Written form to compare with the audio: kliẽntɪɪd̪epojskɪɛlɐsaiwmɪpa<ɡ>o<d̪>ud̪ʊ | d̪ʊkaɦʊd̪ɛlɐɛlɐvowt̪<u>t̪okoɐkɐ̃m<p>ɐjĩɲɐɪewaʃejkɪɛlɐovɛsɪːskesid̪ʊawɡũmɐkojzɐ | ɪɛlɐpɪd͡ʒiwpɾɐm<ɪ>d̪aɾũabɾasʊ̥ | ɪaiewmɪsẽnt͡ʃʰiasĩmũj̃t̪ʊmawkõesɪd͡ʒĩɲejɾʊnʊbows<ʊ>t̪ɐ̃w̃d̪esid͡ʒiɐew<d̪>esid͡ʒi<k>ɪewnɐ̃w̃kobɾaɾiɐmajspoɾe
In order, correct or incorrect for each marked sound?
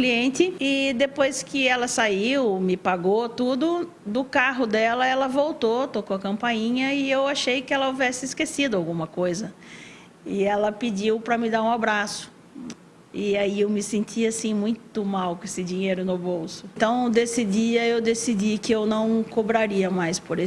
correct, incorrect: t̪, incorrect: o, correct, correct, correct, correct, correct

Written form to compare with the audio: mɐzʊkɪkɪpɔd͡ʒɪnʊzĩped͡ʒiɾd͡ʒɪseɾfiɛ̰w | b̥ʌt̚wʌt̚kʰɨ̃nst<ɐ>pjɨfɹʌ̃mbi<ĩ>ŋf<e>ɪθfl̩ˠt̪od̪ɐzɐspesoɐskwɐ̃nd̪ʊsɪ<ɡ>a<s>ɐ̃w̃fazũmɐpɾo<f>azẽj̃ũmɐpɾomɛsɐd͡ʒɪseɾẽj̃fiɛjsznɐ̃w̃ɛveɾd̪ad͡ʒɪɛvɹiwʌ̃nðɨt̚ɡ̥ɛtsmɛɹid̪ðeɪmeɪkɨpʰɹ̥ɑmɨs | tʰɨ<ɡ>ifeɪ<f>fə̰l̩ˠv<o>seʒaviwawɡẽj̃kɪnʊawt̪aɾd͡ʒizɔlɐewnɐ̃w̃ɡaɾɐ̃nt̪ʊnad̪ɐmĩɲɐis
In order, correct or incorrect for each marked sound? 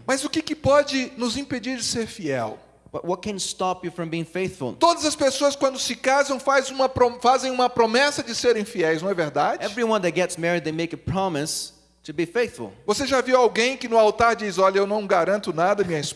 incorrect: ɑ, incorrect: ɪ̃, correct, incorrect: k, incorrect: z, correct, incorrect: b, incorrect: θ, correct

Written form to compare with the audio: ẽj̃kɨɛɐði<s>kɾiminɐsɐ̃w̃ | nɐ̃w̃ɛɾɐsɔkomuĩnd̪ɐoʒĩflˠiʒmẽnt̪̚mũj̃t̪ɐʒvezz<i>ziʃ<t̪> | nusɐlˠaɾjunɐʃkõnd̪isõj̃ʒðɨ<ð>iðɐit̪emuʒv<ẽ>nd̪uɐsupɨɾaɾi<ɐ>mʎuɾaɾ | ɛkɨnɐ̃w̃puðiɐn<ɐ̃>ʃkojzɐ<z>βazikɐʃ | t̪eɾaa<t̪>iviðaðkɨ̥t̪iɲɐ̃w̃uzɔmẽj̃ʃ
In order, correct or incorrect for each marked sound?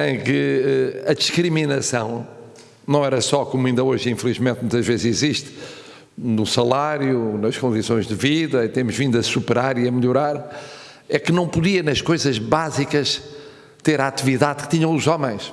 incorrect: ʃ, correct, correct, incorrect: v, incorrect: ĩ, correct, incorrect: ɐ, incorrect: ʒ, correct

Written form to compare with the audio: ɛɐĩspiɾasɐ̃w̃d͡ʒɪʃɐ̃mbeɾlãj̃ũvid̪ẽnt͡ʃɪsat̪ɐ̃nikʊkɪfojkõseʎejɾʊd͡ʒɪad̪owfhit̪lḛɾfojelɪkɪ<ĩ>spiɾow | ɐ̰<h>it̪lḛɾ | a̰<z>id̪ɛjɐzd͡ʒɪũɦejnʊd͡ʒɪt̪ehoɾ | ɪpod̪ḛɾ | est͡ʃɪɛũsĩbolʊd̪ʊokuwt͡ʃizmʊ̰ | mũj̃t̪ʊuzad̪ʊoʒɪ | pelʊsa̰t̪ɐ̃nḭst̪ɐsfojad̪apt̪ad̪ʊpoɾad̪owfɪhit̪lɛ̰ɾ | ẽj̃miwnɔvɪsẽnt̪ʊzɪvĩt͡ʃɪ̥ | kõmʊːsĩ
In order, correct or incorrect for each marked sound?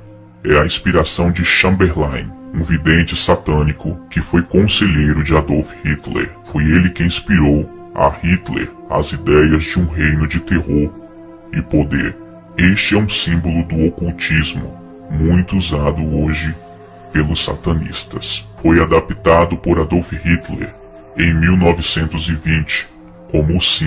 correct, correct, correct

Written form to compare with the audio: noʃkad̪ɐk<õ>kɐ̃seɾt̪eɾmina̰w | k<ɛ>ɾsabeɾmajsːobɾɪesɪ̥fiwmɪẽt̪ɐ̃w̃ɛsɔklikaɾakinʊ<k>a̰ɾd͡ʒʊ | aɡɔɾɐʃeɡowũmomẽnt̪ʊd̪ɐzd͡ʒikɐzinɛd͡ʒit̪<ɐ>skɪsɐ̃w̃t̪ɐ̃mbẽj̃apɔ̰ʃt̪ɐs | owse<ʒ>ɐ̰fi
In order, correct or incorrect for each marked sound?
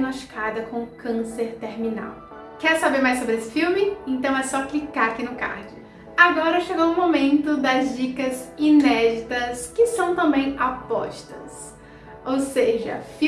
correct, correct, correct, correct, correct

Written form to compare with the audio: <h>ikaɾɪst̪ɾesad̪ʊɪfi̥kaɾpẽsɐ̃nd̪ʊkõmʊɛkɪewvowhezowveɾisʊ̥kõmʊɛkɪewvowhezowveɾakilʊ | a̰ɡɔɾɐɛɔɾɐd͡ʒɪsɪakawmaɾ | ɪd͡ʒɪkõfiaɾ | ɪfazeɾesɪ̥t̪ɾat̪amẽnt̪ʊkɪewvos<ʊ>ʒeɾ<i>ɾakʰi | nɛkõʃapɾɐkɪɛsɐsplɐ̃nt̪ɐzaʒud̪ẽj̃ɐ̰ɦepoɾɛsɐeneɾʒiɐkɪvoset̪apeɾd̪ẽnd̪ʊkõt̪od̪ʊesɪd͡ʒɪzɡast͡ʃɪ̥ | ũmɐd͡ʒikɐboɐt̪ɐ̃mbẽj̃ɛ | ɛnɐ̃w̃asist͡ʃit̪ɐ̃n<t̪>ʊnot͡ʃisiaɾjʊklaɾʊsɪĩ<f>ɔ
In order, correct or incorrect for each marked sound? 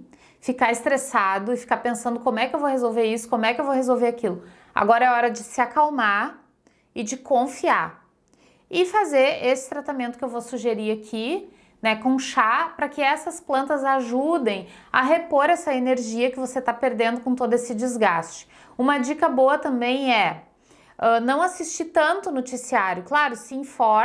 incorrect: f, incorrect: u, correct, correct, correct

